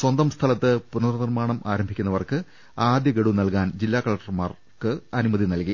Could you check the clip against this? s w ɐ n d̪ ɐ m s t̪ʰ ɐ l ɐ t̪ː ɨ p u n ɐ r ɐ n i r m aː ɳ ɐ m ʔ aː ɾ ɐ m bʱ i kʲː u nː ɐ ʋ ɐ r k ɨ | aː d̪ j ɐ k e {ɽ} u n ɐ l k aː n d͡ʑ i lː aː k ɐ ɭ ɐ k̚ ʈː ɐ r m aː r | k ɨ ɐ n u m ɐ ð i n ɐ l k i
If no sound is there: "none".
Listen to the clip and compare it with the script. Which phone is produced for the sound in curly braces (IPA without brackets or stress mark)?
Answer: ɽ